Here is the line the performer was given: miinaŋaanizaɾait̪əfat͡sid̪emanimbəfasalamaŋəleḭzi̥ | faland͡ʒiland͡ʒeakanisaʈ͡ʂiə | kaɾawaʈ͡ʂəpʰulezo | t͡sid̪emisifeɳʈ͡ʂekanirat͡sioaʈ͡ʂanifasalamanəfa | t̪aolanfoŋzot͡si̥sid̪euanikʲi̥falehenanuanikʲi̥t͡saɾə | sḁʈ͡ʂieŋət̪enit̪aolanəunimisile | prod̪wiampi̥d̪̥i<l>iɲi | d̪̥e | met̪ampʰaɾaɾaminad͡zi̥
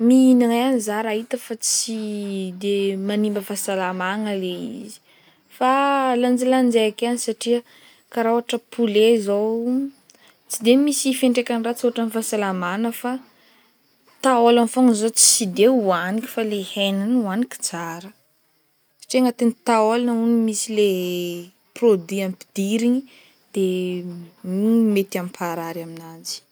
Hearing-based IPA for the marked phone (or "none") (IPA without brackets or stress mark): ɾ